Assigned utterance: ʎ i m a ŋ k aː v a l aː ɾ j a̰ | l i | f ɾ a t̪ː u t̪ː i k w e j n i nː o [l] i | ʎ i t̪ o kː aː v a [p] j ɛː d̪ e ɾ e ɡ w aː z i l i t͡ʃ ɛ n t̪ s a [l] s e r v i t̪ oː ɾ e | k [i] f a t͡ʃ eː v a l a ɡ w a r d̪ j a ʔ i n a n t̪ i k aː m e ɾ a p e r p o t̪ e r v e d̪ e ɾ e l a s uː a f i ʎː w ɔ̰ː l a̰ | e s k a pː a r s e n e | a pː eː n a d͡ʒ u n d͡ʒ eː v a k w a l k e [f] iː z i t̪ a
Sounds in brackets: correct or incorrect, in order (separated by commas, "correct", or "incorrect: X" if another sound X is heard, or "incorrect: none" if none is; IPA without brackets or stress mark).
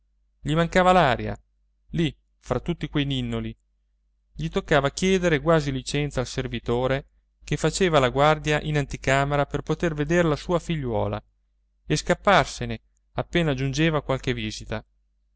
correct, incorrect: k, correct, incorrect: e, incorrect: v